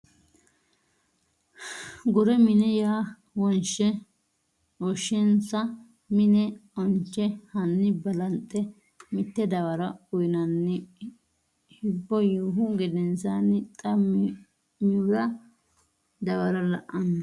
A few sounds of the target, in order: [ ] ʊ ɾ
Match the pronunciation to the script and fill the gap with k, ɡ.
ɡ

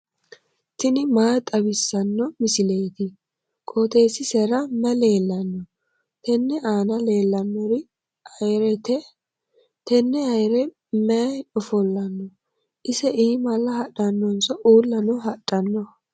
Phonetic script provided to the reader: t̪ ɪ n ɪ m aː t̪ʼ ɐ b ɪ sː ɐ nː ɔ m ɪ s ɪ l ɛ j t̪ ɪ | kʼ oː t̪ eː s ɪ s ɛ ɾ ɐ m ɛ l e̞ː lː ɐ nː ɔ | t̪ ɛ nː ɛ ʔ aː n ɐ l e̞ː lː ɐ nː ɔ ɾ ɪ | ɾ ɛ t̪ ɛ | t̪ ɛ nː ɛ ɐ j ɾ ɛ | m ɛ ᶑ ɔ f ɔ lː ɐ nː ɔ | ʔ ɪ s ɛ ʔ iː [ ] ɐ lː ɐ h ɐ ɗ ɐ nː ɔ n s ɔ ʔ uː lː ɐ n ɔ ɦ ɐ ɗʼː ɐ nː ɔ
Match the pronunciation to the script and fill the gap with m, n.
m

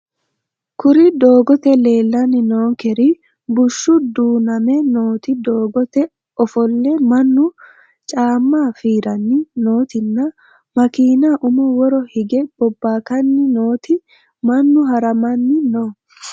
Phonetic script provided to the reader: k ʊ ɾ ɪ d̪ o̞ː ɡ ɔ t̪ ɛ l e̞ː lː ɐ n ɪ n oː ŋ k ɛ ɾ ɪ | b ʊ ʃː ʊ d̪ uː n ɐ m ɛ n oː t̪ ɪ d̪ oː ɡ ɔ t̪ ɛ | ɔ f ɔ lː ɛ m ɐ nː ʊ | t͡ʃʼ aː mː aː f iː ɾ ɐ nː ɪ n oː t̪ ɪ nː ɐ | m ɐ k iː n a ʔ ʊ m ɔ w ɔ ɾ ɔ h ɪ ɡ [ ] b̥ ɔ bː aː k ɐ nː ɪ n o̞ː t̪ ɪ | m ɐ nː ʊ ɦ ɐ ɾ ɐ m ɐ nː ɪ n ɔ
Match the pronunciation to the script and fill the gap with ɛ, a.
ɛ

